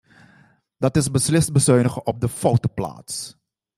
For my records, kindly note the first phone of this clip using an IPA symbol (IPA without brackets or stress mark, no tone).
d